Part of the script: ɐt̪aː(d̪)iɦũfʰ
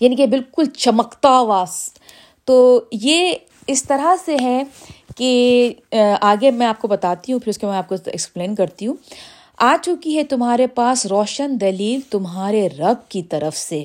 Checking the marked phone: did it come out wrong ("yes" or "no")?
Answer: yes